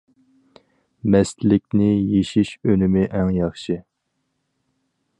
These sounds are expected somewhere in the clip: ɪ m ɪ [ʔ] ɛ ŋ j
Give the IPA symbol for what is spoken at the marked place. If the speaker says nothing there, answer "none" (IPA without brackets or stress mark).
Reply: ʔ